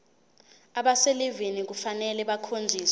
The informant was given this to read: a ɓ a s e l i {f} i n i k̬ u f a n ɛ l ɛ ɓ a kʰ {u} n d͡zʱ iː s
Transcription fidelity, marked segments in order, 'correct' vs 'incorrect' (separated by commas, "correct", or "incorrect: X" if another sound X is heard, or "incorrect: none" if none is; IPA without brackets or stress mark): incorrect: v, incorrect: o